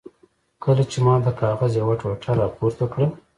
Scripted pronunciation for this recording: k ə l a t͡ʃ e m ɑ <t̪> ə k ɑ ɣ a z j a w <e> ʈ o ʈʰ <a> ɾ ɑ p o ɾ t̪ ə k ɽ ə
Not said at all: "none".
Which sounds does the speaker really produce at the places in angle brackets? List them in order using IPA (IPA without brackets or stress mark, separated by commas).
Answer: d̪, a, a